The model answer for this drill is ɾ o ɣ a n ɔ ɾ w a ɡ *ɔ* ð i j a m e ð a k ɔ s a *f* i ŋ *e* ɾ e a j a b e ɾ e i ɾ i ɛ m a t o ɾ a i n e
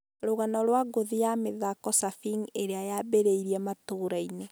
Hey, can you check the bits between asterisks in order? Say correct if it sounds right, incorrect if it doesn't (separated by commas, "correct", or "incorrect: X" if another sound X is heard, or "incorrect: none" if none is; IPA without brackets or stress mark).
incorrect: o, correct, correct